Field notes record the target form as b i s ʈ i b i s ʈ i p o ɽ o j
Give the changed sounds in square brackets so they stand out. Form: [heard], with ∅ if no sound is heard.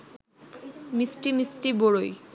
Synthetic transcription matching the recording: [m] i s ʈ i [m] i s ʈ i [b] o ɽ o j